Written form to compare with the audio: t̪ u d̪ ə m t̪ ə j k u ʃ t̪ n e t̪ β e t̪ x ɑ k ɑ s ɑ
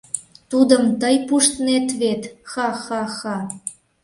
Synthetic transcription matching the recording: t̪ u d̪ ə m t̪ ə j p u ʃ t̪ n e t̪ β e t̪ x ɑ x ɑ x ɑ